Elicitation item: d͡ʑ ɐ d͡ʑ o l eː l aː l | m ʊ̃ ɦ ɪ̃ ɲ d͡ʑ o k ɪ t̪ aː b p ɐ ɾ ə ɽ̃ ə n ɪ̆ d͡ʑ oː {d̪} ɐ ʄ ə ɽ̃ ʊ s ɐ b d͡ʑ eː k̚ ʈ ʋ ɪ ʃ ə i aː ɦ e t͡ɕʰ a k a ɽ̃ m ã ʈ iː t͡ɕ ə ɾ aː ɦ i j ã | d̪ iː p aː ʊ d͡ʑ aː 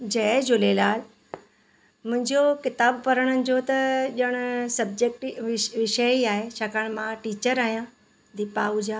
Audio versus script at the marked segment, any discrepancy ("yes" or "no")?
yes